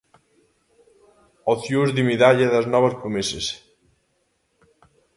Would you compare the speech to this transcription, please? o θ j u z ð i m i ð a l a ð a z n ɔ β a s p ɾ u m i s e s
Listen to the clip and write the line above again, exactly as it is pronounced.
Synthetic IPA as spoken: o θ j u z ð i m i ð a ʎ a ð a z n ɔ β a s p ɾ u m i s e s